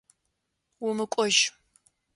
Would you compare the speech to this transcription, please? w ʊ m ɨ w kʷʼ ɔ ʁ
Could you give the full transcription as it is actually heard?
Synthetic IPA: w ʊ m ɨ kʷʼ ɔ ʒ

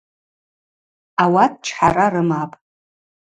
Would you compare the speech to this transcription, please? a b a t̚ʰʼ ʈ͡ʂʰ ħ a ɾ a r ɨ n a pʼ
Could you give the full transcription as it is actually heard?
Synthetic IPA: a w a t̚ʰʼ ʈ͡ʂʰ ħ a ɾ a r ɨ m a pʼ

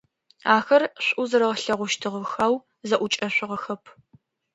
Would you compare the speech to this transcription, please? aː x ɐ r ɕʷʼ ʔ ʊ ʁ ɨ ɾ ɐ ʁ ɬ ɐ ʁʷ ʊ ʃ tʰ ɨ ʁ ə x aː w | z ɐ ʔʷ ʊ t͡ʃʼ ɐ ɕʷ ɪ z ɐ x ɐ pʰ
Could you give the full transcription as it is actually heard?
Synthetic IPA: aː x ɐ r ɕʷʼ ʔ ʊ z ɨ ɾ ɐ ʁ ɬ ɐ ʁʷ ʊ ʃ tʰ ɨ ʁ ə x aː w | z ɐ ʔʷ ʊ t͡ʃʼ ɐ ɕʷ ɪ ʁ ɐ x ɐ pʰ

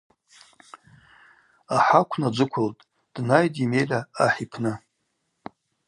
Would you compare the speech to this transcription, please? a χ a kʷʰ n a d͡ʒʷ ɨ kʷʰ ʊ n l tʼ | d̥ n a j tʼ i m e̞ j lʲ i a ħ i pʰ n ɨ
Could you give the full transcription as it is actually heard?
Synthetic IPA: a ħ a kʷʰ n a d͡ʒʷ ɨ kʷʰ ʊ l tʼ | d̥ n a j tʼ i m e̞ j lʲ a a ħ i pʰ n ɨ

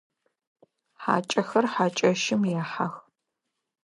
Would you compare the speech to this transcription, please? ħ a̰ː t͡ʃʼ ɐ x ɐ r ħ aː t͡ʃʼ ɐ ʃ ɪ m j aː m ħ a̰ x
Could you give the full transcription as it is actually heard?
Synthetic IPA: ħ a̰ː t͡ʃʼ ɐ x ɐ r ħ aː t͡ʃʼ ɐ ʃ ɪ m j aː ħ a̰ x

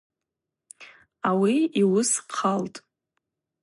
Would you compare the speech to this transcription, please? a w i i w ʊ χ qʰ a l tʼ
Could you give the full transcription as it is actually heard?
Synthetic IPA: a w i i w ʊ s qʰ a l tʼ

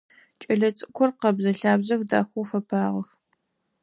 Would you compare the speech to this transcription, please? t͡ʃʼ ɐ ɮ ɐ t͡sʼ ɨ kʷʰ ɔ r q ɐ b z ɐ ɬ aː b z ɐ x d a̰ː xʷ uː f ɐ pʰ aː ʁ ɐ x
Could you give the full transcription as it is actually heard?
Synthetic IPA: t͡ʃʼ ɐ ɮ ɐ t͡sʼ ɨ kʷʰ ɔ r q ɐ b z ɐ ɬ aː b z ɐ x d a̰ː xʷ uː f ɐ pʰ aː ʁ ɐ x

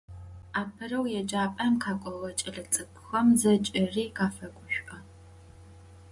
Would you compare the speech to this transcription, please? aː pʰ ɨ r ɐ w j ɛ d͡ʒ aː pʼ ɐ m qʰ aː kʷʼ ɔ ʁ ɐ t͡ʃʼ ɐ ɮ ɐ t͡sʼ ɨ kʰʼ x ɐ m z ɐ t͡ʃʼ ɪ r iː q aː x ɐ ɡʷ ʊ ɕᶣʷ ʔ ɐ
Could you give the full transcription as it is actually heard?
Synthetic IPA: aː pʰ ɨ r ɐ w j ɛ d͡ʒ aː pʼ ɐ m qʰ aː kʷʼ ɔ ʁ ɐ t͡ʃʼ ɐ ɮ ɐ t͡sʼ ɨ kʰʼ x ɐ m z ɐ t͡ʃʼ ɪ r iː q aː f ɐ ɡʷ ʊ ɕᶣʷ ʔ ɐ

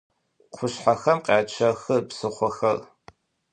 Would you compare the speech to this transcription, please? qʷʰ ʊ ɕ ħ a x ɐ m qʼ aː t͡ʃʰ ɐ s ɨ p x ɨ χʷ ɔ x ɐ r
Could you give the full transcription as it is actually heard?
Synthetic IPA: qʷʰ ʊ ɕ ħ a x ɐ m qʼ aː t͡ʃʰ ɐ x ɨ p s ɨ χʷ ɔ x ɐ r

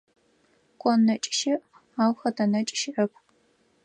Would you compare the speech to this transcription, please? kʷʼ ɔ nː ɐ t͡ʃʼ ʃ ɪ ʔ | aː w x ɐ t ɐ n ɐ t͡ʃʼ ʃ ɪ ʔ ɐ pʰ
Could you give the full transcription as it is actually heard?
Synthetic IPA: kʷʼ ɔ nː ɐ t͡ʃʼ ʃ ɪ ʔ | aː w x ɐ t ɐ n ɐ t͡ʃʼ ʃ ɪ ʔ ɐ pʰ

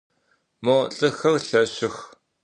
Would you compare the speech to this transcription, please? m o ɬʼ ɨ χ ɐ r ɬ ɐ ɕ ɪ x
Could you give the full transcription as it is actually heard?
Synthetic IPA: m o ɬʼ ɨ x ɐ r ɬ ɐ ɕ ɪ x

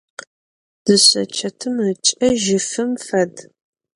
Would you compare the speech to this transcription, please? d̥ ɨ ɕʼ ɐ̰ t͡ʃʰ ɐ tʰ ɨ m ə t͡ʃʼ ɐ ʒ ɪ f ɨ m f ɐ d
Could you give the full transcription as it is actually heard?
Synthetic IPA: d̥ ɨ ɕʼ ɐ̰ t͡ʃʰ ɐ tʰ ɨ m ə t͡ʃʼ ɐ ʒ ɪ f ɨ m f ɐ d

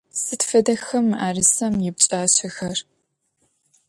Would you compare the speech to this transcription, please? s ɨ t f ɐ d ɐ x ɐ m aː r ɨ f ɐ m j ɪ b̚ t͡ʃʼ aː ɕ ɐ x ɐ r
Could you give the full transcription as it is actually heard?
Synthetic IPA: s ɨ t f ɐ d ɐ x ɐ m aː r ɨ s ɐ m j ɪ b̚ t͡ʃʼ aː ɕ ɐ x ɐ r

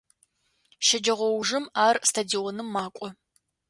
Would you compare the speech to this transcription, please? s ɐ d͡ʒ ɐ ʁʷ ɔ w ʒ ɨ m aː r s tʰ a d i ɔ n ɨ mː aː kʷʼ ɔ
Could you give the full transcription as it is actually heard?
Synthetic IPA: ʃ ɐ d͡ʒ ɐ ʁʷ ɔ w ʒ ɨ m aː r s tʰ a d i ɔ n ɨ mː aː kʷʼ ɔ

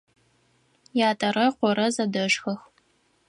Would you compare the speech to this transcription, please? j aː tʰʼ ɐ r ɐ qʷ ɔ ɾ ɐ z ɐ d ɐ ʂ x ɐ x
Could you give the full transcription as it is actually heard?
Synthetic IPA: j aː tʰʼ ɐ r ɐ qʷ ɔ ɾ ɐ z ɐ d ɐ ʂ x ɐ x

